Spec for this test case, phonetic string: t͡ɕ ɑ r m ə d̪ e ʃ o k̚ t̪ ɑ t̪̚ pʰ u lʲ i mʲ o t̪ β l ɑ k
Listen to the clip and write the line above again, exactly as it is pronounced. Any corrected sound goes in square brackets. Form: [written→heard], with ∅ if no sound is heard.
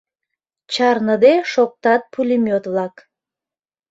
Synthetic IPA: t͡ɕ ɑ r [m→n] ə d̪ e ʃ o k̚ t̪ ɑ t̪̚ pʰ u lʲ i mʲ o t̪ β l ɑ k